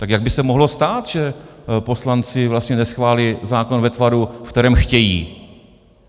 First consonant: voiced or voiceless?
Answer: voiceless